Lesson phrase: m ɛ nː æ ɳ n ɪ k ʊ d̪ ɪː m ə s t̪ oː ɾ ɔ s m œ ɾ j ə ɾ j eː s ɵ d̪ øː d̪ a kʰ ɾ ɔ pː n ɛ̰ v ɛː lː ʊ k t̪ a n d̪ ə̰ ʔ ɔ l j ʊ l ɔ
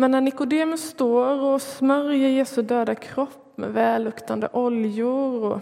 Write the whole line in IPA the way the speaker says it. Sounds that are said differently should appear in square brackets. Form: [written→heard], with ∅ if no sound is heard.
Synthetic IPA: m ɛ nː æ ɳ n ɪ k ʊ d̪ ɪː m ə s t̪ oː ɾ ɔ s m œ ɾ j ə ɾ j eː s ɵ d̪ øː d̪ a kʰ ɾ ɔ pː [n→m] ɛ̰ v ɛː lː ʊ k t̪ a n d̪ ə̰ ʔ ɔ l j ʊ [l→ɾ] ɔ